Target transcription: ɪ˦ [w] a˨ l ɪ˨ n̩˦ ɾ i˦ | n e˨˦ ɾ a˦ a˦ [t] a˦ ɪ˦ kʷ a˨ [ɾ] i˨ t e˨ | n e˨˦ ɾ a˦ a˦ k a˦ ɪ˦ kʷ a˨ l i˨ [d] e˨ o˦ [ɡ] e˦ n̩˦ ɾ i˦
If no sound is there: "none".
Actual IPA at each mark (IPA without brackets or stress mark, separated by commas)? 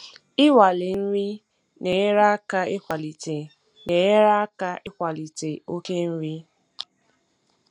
w, k, l, t, k